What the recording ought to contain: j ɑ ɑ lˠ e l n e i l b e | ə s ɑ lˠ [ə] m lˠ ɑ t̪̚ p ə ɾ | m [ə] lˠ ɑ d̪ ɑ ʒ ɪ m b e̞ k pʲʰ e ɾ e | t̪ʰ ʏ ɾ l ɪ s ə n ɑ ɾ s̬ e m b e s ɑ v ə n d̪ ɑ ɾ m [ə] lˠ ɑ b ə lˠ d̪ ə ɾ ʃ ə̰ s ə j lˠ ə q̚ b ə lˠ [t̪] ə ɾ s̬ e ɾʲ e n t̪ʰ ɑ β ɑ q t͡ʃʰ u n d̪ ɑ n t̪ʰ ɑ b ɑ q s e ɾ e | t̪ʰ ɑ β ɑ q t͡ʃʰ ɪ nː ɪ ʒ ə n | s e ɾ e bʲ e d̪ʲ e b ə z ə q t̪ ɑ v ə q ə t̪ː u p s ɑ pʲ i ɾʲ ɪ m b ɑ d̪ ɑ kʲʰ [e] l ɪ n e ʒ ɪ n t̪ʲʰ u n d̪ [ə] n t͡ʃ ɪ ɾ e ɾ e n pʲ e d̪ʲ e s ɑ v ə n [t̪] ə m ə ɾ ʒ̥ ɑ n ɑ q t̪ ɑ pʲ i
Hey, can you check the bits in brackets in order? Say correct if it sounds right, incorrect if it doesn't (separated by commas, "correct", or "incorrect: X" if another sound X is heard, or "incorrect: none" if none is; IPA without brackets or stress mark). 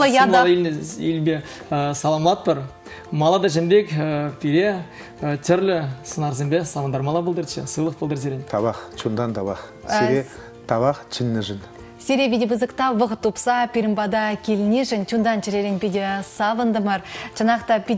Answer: incorrect: ɑ, incorrect: ɑ, incorrect: ɑ, incorrect: d̪, correct, incorrect: ɑ, incorrect: d̪